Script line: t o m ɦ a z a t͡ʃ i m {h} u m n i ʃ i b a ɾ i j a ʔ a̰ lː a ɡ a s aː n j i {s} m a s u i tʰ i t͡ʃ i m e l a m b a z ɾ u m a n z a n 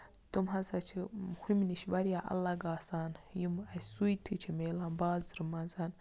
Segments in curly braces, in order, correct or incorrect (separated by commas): correct, incorrect